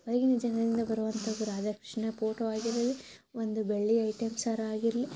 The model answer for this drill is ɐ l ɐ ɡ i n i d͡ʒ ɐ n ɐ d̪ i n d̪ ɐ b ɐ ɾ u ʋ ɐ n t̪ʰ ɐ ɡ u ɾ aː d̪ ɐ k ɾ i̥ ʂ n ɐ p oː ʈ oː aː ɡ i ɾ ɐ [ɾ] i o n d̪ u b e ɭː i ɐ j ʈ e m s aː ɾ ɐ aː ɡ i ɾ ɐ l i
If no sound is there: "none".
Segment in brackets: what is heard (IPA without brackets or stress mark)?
l